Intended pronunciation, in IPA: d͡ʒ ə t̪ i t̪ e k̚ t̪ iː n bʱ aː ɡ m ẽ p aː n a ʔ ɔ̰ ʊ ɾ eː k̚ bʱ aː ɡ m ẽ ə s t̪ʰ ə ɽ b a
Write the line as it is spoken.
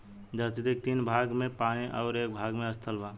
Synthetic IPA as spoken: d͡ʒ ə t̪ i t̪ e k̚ t̪ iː n bʱ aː ɡ m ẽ p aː n i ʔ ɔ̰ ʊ ɾ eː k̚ bʱ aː ɡ m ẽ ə s t̪ʰ ə l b a